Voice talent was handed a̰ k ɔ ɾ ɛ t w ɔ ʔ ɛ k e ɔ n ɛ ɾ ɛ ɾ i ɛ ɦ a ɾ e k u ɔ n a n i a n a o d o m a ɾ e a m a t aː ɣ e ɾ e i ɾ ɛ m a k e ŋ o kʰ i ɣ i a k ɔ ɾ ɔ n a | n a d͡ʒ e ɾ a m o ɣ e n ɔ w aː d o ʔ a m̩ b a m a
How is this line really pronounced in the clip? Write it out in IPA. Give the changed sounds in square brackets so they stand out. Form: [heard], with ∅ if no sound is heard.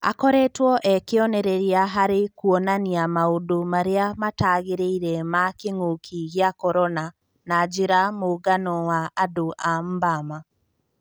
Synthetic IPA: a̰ k ɔ ɾ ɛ t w ɔ ʔ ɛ k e ɔ n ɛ ɾ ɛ ɾ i [a] ɦ a ɾ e k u ɔ n a n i a [m] a o d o m a ɾ e a m a t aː ɣ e ɾ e i ɾ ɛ m a k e ŋ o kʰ i ɣ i a k ɔ ɾ ɔ n a | n a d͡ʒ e ɾ a m o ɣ [a] n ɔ w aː d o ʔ a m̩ b a m a